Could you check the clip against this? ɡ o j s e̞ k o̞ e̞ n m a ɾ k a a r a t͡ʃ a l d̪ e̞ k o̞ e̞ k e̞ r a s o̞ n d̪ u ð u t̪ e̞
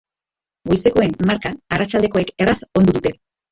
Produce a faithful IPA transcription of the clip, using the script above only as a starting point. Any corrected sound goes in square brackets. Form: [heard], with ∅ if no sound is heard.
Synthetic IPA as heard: ɡ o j s e̞ k o̞ e̞ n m a ɾ k a a r a t͡ʃ a l d̪ e̞ k o̞ e̞ k e̞ r a s o̞ n d̪ u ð u t̪ e̞